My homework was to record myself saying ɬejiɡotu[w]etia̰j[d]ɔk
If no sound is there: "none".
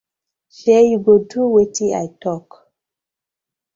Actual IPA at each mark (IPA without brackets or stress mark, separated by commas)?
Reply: w, t